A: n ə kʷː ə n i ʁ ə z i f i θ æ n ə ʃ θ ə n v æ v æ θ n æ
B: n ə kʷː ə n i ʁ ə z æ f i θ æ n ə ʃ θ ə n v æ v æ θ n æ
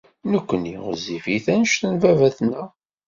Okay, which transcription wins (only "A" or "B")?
A